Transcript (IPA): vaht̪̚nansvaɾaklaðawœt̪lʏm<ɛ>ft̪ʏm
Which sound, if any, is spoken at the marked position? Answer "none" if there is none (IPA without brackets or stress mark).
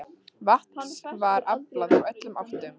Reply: a